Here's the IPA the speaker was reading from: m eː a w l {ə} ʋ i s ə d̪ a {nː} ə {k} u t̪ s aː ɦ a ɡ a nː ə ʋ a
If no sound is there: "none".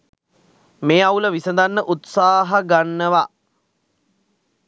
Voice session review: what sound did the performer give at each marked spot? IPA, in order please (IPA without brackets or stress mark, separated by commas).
ə, nː, ʔ